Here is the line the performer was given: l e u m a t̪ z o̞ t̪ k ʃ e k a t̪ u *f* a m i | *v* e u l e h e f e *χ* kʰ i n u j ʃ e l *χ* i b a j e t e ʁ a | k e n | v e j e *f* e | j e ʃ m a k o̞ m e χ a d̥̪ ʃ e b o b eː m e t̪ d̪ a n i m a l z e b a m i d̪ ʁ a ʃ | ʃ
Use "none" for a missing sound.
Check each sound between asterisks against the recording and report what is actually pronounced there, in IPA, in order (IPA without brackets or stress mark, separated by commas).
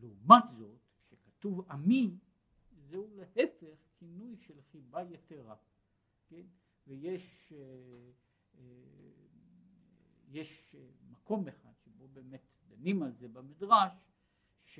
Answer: v, z, χ, χ, ʃ